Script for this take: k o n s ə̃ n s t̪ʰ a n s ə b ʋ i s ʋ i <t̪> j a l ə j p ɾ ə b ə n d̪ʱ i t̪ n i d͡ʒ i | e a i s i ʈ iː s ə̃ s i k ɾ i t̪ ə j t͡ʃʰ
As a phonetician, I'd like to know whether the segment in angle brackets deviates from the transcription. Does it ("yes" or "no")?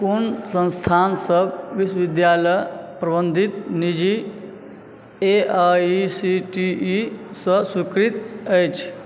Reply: yes